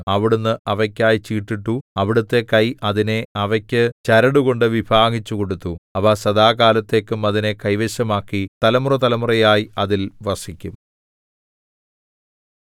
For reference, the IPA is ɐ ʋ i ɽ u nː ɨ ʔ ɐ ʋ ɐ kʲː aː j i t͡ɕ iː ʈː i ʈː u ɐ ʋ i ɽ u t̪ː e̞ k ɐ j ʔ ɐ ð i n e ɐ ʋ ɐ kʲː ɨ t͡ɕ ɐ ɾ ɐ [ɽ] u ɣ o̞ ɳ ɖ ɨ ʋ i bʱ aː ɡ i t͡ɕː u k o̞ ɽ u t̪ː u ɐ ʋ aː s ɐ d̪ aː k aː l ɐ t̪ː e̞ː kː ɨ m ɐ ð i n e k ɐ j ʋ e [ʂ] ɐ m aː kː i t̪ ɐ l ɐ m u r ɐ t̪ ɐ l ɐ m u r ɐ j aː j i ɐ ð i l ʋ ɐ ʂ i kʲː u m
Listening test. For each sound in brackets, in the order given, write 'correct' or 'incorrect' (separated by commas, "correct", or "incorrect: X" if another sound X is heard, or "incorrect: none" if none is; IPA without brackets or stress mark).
correct, incorrect: ɕ